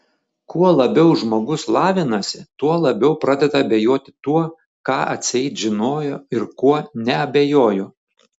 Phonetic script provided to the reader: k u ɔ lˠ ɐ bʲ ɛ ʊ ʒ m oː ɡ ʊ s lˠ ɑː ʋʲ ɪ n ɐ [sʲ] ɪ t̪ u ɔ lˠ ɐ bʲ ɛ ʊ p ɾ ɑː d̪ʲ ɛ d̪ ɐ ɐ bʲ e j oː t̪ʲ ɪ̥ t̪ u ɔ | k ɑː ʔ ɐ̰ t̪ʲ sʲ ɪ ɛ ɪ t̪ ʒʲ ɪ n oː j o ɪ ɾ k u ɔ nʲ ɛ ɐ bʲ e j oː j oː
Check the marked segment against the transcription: correct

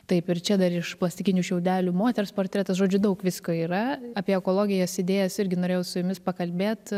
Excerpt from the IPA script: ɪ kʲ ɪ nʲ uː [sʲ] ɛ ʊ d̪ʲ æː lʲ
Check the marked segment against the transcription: incorrect: ʃʲ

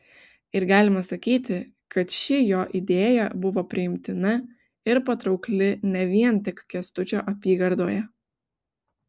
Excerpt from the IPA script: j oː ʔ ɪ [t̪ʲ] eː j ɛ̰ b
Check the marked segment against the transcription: incorrect: d̪ʲ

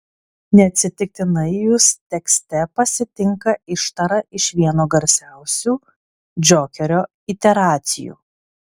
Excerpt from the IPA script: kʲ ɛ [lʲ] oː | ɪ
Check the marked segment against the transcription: incorrect: ɾʲ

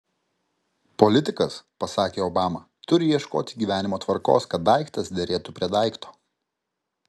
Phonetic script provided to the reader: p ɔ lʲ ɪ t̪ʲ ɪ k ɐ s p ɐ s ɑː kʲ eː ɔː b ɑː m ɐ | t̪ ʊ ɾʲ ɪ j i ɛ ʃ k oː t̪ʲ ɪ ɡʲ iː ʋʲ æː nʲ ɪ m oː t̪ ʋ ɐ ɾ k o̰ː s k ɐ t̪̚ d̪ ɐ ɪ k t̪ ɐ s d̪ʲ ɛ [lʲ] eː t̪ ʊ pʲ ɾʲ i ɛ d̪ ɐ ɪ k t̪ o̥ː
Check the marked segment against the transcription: incorrect: ɾʲ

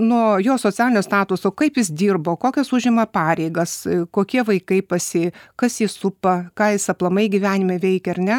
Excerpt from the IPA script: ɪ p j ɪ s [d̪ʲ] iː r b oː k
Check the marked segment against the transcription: correct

